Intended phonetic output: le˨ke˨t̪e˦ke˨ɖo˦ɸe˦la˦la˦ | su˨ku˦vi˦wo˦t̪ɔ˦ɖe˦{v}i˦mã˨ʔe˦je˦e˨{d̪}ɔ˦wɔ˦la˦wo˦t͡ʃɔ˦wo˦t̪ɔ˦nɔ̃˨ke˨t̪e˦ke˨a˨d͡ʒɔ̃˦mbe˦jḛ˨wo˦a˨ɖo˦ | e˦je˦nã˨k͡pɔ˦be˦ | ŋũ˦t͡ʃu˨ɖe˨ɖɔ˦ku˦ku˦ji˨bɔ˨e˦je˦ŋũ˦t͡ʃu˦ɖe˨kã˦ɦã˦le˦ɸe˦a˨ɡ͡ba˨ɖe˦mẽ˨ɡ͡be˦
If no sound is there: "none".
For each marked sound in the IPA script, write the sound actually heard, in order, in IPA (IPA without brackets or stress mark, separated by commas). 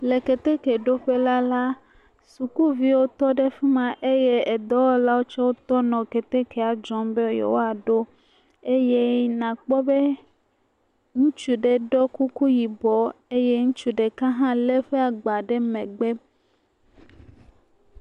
f, d̪